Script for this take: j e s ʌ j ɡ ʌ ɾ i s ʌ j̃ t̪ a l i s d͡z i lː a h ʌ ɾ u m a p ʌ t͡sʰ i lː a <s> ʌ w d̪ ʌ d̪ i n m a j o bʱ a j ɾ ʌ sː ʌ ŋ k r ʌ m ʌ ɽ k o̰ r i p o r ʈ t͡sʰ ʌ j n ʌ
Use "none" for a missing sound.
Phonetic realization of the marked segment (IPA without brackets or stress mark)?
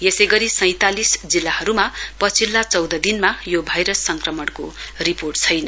t͡s